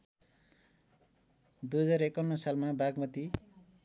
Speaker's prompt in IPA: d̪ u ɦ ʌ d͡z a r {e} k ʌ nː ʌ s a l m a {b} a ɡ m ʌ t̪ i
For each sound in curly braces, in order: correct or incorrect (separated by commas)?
correct, correct